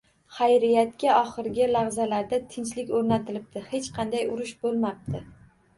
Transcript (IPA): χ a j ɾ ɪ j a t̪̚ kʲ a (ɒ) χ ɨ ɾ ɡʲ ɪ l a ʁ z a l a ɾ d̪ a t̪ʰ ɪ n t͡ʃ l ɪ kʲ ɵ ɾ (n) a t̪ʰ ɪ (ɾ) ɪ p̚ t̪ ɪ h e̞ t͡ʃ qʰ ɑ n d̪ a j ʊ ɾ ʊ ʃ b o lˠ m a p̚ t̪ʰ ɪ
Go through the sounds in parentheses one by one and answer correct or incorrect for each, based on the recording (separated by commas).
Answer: correct, correct, incorrect